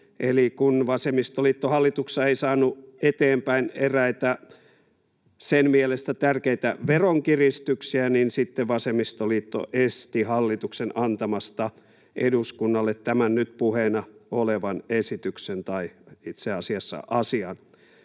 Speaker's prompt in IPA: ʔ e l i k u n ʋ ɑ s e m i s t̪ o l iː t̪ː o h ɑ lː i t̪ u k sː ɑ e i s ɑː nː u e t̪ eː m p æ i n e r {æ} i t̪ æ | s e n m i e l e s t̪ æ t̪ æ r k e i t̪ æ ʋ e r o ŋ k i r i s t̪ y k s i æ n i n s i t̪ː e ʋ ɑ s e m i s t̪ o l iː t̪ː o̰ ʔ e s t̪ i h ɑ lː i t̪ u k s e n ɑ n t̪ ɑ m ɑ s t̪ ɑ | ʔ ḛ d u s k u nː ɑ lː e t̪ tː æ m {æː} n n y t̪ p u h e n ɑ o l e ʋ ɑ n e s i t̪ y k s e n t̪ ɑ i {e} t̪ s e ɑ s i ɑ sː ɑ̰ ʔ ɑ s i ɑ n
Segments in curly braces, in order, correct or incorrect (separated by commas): correct, incorrect, incorrect